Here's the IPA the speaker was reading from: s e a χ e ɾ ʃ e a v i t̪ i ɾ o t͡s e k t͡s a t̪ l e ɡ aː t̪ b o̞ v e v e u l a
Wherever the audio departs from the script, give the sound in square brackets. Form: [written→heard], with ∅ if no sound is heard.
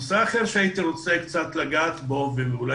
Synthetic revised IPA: s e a χ e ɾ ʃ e a [v→∅] i t̪ i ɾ o t͡s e k t͡s a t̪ l [e→a] ɡ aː t̪ b o̞ v e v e u l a